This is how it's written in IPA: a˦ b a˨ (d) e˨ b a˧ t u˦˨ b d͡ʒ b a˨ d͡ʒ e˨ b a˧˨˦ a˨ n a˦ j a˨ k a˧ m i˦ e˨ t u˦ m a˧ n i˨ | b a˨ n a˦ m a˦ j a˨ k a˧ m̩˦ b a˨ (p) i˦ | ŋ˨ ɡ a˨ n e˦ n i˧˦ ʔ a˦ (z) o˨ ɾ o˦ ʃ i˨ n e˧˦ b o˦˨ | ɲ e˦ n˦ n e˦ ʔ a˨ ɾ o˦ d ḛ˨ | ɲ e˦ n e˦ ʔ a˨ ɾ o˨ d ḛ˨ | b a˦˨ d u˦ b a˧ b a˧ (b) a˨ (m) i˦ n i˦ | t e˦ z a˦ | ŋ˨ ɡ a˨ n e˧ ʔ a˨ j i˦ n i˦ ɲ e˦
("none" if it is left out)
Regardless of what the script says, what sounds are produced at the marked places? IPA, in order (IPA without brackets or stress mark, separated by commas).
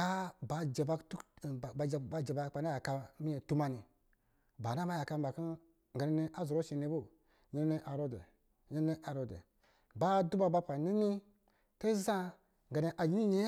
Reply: d͡ʒ, k, z, p, n